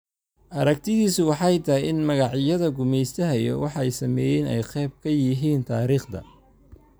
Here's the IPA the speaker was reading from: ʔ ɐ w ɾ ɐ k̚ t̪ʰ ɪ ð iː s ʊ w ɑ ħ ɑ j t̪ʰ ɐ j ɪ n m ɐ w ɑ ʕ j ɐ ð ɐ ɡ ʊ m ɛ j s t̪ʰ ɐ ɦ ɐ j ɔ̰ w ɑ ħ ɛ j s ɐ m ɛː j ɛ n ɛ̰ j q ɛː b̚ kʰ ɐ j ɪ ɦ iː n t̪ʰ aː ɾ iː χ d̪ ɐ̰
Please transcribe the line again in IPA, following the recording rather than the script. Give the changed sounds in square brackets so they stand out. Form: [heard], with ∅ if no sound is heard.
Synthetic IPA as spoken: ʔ ɐ [∅] ɾ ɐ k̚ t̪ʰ ɪ ð iː s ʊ w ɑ ħ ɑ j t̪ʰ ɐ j ɪ n m ɐ [ɣ] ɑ ʕ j ɐ ð ɐ ɡ ʊ m ɛ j s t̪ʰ ɐ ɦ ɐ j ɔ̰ w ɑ ħ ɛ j s ɐ m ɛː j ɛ n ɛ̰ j q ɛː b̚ kʰ ɐ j ɪ ɦ iː n t̪ʰ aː ɾ iː χ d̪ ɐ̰